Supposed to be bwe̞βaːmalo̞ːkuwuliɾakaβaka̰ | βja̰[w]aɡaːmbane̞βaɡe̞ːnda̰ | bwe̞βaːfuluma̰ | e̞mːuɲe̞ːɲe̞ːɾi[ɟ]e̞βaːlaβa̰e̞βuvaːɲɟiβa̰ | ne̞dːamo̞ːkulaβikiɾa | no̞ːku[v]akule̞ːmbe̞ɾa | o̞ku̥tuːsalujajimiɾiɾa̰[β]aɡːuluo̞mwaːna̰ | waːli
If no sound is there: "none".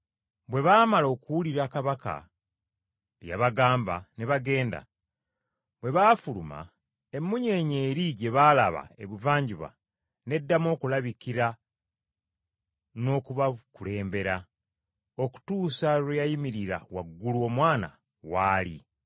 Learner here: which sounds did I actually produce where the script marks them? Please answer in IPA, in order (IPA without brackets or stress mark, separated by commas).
β, ɟ, β, w